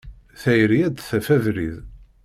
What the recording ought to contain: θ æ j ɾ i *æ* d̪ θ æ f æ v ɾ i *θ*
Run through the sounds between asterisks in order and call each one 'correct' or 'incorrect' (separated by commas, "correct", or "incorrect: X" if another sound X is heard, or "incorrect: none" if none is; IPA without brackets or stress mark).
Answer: correct, incorrect: ð